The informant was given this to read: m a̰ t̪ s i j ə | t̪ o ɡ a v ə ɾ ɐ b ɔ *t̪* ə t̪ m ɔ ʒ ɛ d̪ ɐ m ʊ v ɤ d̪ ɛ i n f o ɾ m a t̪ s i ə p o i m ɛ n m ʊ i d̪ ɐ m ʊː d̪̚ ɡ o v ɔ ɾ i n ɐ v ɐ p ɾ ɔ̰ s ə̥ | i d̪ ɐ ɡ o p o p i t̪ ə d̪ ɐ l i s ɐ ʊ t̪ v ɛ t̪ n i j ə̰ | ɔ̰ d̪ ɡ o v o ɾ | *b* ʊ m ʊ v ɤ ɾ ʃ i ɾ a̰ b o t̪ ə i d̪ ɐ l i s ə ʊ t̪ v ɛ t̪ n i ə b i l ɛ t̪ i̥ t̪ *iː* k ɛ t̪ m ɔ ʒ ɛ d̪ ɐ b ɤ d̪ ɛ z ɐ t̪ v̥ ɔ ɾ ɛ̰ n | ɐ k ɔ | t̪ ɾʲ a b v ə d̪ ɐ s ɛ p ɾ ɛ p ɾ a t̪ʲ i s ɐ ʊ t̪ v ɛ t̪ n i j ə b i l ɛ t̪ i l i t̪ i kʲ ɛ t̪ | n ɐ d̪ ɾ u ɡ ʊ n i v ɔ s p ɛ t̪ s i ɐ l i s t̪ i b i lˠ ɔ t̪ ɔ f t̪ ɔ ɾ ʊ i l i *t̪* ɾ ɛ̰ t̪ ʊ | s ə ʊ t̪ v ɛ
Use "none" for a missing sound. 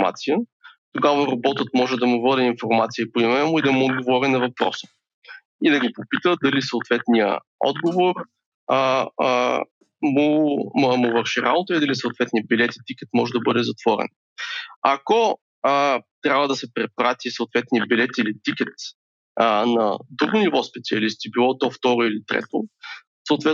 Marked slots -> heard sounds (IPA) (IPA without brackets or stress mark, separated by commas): t̪, m, i, t̪